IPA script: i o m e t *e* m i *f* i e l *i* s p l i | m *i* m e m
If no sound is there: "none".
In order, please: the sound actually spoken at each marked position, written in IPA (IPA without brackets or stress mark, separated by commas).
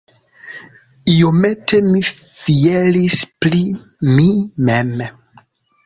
e, f, i, i